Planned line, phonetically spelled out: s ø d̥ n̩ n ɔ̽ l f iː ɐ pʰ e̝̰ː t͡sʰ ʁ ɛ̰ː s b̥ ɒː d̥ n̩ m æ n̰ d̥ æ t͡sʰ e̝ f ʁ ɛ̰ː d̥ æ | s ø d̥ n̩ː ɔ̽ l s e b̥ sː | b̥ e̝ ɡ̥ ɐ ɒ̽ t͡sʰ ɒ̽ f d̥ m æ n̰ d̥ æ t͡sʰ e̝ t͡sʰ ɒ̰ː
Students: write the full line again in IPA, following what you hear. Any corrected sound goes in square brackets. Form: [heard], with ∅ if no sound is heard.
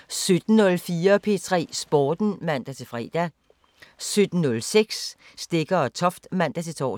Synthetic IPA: s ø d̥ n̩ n ɔ̽ l f iː ɐ pʰ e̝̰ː t͡sʰ ʁ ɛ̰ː s b̥ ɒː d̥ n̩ m æ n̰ d̥ æ t͡sʰ e̝ f ʁ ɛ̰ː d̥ æ | s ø d̥ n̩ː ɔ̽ l s e [ɡ̥] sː | [d̥] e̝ ɡ̥ ɐ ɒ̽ t͡sʰ ɒ̽ f d̥ m æ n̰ d̥ æ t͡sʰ e̝ t͡sʰ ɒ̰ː